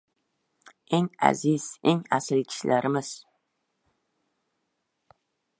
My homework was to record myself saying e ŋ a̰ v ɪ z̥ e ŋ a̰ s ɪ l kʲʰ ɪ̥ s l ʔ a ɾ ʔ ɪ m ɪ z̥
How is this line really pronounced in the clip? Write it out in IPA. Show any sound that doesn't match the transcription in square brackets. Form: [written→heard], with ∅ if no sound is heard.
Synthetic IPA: e ŋ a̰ [v→z] ɪ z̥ e ŋ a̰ s ɪ l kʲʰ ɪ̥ [s→ʃ] l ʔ a ɾ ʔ ɪ m ɪ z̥